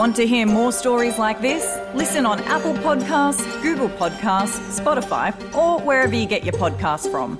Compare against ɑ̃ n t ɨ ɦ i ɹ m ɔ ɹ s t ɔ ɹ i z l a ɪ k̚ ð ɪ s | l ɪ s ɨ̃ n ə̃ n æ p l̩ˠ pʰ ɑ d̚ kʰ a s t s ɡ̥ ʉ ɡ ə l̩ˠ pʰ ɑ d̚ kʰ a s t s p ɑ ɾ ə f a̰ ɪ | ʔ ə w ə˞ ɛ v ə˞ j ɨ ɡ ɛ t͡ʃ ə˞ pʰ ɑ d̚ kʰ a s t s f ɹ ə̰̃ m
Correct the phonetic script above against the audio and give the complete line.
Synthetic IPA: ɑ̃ n t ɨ ɦ i ɹ m ɔ ɹ s t ɔ ɹ i z l a ɪ k̚ ð ɪ s | l ɪ s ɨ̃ n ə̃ n æ p l̩ˠ pʰ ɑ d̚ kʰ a s t s ɡ̥ ʉ ɡ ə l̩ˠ pʰ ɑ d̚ kʰ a s t s p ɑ ɾ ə f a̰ ɪ | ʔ ə w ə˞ ɛ v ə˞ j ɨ ɡ ɛ t͡ʃ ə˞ pʰ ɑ d̚ kʰ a s t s f ɹ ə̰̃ m